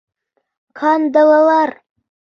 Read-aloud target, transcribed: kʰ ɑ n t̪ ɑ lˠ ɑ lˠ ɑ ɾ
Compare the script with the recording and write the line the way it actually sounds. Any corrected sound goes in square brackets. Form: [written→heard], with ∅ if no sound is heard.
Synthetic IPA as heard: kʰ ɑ n [t̪→d̪] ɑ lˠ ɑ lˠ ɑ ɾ